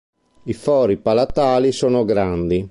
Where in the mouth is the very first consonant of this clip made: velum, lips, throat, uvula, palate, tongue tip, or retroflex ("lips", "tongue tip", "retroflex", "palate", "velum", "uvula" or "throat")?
lips